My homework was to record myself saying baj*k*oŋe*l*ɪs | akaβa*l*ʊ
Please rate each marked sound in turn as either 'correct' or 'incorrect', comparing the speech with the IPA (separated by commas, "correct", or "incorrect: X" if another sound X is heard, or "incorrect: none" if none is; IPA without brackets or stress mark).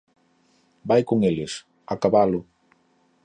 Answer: correct, correct, correct